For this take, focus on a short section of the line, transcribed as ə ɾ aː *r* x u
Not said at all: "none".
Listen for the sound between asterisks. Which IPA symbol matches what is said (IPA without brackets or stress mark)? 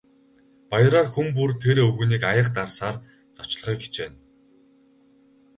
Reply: r